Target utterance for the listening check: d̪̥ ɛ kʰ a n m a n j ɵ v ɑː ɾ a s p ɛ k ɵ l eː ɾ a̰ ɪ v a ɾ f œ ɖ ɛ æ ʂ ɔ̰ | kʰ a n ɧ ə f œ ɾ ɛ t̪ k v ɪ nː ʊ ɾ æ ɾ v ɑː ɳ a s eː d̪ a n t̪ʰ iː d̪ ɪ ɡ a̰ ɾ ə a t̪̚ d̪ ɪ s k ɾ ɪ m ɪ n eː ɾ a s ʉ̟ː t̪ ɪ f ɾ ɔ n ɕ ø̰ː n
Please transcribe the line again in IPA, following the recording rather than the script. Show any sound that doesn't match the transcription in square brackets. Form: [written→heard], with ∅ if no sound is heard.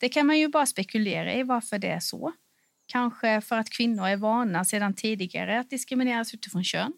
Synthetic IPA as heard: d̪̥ ɛ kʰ a n m a n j ɵ [v→b] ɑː ɾ a s p ɛ k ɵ l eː ɾ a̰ ɪ v a ɾ f œ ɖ ɛ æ ʂ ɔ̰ | kʰ a n ɧ ə f œ ɾ [ɛ→a] t̪ [k→kʰ] v ɪ nː ʊ ɾ æ ɾ v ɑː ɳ a s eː d̪ a n t̪ʰ iː d̪ ɪ ɡ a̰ ɾ ə a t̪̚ d̪ ɪ s k ɾ ɪ m ɪ n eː ɾ a s ʉ̟ː t̪ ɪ f ɾ ɔ n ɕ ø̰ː n